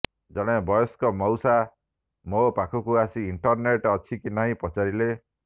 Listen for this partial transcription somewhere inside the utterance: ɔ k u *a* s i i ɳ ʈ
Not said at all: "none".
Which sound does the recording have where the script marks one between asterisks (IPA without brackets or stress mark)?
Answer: a